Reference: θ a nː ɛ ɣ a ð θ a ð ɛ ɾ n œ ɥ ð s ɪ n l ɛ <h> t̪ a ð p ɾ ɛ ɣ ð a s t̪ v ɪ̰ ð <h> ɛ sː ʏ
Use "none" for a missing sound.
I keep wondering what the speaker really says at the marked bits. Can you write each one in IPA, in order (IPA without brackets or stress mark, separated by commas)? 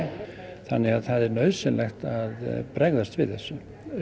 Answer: x, θ